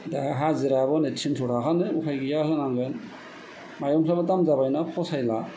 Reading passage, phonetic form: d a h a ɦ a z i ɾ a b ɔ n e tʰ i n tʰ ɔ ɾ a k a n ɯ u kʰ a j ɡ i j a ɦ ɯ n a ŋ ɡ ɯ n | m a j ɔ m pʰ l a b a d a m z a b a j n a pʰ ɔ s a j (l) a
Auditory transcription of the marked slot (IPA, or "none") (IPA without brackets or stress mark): l